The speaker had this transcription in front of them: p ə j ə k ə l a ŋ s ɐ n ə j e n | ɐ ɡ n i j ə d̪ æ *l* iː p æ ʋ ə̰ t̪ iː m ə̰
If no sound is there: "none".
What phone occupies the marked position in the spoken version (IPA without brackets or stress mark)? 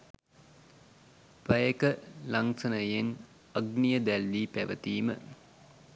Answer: lː